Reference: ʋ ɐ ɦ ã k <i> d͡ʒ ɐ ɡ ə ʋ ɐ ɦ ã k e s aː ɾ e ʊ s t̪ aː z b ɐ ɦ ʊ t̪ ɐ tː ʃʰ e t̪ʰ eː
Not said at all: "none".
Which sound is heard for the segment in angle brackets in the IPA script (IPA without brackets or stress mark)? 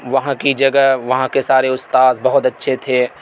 i